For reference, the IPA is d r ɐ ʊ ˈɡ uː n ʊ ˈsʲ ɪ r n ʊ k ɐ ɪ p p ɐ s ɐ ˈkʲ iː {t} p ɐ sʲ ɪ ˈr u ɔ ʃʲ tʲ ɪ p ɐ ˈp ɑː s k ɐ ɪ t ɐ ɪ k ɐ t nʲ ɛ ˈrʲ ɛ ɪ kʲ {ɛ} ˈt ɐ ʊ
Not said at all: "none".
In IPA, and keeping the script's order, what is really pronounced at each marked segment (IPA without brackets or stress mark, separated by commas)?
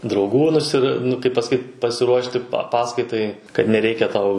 t, ɛ